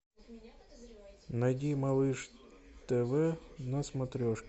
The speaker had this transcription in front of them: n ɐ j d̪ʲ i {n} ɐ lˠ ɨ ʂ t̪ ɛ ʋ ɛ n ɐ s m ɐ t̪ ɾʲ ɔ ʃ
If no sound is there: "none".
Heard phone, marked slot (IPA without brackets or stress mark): m